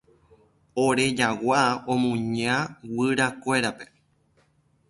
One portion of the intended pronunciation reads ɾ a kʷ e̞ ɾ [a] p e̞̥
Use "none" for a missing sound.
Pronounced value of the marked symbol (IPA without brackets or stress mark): a